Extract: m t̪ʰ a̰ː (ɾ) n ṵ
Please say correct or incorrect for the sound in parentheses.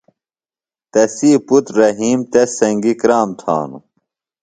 incorrect